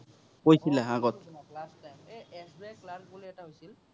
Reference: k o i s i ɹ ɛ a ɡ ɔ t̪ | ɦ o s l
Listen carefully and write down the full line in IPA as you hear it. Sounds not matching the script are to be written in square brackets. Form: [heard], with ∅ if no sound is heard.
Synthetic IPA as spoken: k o [j] s i [l] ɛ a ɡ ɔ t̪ | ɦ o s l